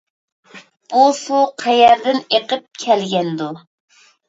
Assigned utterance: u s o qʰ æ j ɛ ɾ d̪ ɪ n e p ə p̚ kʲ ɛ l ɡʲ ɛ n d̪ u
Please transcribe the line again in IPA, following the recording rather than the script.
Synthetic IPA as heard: u s u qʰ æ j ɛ ɾ d̪ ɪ n e q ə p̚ kʲʰ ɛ l ɡʲ ɛ n d̪ u